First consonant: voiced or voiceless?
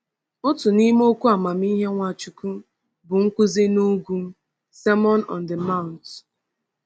voiceless